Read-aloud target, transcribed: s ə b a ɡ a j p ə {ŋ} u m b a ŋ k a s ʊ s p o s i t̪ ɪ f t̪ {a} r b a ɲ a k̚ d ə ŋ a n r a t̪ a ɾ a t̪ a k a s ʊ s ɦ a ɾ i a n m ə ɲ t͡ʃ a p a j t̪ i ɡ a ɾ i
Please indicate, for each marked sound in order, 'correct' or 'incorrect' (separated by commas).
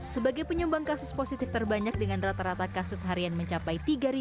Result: incorrect, incorrect